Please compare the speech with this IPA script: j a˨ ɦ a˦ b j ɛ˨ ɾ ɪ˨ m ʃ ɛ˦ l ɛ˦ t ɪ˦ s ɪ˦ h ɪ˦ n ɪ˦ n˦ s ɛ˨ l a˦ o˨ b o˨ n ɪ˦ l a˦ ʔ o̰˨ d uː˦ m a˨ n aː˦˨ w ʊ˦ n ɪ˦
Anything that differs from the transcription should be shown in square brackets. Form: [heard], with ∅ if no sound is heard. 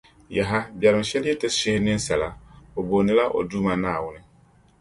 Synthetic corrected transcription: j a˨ ɦ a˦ b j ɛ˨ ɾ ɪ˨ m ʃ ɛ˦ l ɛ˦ t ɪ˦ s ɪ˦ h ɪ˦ n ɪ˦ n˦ s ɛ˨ l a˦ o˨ b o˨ n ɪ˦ l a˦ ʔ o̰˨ d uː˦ m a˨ n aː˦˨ w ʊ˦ n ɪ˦